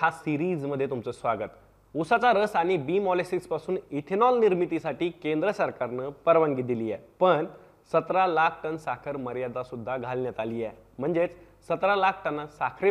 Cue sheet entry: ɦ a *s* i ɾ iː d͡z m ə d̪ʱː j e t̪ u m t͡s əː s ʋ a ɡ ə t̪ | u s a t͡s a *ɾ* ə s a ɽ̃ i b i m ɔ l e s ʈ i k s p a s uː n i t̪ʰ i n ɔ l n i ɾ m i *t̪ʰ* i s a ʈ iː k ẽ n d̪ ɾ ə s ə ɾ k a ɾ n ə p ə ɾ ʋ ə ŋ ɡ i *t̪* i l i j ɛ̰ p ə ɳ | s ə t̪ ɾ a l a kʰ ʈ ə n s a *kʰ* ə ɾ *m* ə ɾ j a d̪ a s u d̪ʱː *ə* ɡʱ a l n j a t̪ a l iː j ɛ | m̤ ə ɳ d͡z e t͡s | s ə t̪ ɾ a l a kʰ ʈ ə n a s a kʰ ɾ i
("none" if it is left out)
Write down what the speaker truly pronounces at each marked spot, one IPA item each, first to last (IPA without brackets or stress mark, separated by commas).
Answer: s, ɾ, t̪, d̪, kʰ, m, a